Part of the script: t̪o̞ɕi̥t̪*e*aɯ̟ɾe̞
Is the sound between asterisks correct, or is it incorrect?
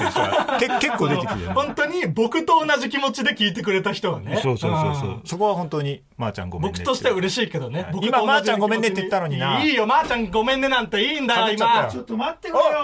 correct